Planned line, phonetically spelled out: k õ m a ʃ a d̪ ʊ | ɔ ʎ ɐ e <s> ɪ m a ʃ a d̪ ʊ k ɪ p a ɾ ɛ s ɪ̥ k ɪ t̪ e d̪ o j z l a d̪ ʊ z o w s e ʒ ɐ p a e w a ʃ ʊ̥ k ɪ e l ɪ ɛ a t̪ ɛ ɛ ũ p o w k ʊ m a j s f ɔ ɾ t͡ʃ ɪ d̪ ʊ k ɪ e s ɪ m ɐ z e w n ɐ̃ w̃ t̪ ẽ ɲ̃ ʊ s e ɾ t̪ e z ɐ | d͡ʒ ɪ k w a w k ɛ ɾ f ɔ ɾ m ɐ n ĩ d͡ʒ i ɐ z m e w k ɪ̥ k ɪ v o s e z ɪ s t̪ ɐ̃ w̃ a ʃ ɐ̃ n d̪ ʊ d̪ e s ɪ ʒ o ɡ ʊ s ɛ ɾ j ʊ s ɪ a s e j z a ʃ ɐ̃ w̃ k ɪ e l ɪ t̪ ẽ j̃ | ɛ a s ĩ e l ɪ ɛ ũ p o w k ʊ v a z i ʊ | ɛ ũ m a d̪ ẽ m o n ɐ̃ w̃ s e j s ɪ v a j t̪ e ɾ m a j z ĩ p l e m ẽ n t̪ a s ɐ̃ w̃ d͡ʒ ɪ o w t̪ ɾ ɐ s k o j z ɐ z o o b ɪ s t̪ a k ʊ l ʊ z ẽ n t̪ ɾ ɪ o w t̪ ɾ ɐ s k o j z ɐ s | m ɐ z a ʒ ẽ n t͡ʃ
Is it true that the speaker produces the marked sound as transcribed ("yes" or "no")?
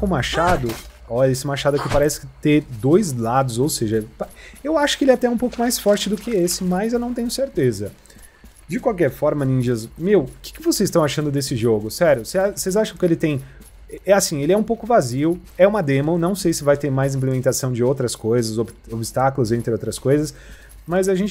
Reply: yes